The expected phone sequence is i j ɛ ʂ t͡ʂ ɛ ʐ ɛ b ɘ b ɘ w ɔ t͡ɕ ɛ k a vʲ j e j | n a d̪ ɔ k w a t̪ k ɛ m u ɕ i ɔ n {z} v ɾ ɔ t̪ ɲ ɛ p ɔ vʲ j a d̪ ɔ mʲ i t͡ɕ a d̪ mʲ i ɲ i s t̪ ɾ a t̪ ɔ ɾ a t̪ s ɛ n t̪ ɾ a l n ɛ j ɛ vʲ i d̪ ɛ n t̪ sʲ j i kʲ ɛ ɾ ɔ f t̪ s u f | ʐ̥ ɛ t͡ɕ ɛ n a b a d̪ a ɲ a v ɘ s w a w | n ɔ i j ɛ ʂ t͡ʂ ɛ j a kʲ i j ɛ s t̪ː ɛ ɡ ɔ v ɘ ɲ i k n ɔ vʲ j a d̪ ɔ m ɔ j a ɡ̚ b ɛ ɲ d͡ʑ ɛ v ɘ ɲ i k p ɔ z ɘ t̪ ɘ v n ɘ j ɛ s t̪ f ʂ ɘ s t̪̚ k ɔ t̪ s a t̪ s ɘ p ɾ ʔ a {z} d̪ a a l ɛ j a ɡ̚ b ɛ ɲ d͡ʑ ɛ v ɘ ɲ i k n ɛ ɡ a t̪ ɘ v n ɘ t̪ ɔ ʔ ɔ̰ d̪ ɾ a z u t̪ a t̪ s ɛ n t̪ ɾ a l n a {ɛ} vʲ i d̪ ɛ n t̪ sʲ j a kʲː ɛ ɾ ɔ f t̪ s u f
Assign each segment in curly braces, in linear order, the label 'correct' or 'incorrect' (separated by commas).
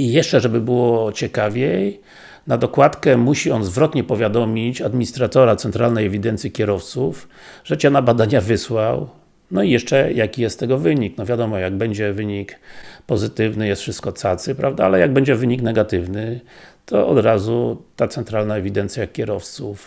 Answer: correct, incorrect, correct